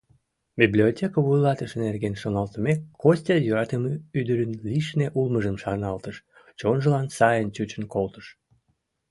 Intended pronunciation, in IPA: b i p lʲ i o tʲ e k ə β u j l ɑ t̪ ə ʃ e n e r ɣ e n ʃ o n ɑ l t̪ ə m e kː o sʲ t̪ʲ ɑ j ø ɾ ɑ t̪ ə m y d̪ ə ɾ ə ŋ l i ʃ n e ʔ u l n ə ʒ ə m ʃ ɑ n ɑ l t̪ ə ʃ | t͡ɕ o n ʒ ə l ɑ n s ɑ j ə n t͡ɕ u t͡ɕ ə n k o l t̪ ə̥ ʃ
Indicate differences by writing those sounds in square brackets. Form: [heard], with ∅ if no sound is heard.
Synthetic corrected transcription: b i [b] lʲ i o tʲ e k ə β u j l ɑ t̪ ə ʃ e n e r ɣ e n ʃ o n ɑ l t̪ ə m e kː o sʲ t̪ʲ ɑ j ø ɾ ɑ t̪ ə m y d̪ ə ɾ ə [n] l i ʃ n e ʔ u l [m] ə ʒ ə m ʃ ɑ n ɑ l t̪ ə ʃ | t͡ɕ o n ʒ ə l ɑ n s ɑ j ə n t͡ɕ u t͡ɕ ə n k o l t̪ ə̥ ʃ